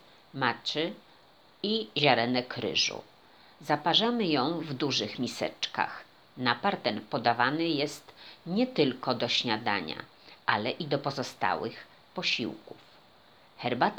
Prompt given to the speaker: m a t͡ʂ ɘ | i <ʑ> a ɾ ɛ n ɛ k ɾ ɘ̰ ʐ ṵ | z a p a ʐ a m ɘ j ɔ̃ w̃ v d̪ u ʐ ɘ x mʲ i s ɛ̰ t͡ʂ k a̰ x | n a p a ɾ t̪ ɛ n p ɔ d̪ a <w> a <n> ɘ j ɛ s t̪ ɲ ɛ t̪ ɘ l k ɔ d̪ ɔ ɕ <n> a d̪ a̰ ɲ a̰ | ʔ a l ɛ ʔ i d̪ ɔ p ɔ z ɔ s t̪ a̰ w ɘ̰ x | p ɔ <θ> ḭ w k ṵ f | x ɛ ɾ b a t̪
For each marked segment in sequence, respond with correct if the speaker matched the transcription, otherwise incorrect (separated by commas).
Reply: correct, incorrect, correct, incorrect, incorrect